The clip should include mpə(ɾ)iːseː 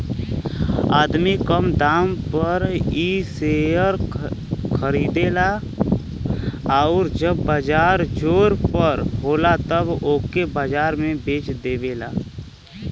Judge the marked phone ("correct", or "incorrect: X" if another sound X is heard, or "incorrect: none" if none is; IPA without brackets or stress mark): correct